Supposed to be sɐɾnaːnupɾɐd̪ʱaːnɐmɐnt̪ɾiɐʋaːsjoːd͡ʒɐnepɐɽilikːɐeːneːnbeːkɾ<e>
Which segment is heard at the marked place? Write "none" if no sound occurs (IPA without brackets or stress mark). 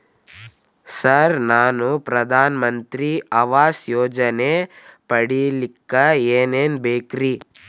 i